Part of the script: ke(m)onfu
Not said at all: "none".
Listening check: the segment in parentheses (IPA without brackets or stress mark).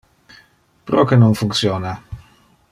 n